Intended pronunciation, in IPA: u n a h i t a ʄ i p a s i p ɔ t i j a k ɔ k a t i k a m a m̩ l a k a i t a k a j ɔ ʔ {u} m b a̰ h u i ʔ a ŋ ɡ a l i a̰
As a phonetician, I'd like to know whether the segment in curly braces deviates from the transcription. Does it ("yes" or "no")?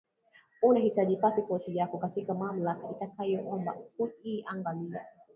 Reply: yes